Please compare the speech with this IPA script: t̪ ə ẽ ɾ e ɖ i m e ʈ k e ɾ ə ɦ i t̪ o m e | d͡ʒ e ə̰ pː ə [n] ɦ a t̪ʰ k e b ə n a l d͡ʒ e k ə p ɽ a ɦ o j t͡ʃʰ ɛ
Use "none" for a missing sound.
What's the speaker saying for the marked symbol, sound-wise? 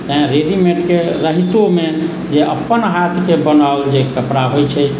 n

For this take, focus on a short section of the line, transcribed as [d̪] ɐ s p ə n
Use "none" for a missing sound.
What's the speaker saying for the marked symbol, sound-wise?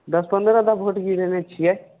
d̪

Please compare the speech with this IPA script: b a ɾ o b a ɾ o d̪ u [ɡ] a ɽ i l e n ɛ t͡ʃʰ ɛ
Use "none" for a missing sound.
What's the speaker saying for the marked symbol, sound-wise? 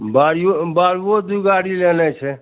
ɡ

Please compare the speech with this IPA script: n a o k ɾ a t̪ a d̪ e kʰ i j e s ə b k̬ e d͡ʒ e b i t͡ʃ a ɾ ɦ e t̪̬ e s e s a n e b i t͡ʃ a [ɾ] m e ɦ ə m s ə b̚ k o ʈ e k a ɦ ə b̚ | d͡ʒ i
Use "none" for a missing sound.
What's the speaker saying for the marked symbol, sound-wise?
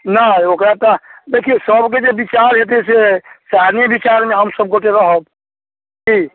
ɾ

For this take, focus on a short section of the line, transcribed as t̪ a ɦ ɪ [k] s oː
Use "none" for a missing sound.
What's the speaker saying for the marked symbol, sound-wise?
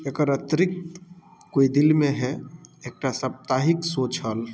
k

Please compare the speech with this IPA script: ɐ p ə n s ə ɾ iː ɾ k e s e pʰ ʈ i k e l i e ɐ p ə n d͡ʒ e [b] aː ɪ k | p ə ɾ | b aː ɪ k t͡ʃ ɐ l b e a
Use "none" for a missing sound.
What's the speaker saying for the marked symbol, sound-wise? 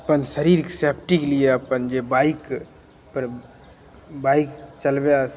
b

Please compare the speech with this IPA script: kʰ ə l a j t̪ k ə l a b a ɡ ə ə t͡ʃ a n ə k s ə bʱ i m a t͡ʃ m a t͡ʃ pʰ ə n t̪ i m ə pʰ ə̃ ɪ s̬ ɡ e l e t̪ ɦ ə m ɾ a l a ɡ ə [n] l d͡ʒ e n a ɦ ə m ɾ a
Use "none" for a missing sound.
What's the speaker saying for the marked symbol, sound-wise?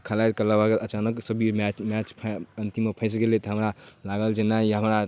none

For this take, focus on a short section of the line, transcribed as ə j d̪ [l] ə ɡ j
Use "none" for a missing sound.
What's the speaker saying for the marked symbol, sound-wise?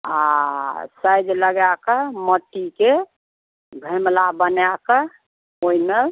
l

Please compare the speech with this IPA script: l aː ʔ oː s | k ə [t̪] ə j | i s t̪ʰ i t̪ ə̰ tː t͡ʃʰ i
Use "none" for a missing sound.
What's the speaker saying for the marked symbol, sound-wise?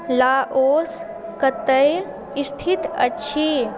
t̪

